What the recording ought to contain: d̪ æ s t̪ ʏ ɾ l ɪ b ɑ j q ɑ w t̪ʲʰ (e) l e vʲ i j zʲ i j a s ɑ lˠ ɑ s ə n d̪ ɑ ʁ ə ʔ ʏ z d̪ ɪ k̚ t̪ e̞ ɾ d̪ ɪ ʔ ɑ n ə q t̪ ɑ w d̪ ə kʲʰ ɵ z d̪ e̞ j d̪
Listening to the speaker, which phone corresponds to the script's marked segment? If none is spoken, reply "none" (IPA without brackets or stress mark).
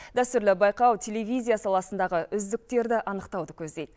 e